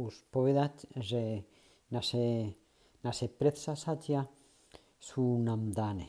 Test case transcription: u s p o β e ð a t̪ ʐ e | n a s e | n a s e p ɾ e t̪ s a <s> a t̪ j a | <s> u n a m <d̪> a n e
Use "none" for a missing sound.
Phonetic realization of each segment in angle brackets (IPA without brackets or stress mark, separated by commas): s, s, d̪